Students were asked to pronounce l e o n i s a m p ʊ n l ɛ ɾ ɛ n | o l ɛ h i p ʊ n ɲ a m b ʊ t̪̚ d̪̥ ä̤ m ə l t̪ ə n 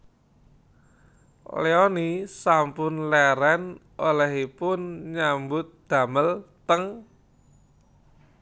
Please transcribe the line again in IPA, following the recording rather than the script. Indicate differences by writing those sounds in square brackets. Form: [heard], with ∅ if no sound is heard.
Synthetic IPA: l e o n i s a m p ʊ n l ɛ ɾ ɛ n | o l ɛ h i p ʊ n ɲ a m b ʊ t̪̚ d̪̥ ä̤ m ə l t̪ ə [ŋ]